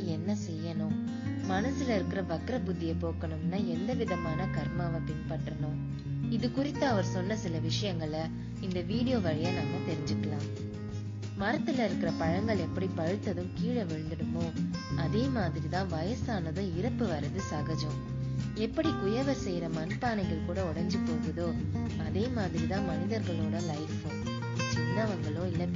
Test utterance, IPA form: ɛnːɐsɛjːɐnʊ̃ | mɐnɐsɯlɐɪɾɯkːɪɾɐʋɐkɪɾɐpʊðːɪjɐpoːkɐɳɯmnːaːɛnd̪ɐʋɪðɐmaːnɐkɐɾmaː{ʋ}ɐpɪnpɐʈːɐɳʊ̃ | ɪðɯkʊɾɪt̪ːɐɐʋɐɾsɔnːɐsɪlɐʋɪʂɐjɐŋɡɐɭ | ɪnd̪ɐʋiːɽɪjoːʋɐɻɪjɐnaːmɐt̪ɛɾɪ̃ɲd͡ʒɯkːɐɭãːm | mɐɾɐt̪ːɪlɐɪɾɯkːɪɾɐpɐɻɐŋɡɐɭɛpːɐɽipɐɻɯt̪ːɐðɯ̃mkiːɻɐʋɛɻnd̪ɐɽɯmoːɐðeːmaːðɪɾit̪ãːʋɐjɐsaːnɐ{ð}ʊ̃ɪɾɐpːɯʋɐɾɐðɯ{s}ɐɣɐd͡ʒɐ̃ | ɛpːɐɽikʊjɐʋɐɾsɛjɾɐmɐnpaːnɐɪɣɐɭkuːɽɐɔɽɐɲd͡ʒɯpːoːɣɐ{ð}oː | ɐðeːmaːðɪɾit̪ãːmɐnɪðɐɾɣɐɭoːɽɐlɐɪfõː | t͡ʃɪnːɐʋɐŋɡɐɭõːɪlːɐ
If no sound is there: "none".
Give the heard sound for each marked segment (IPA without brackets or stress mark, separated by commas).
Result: ʋ, ð, s, ð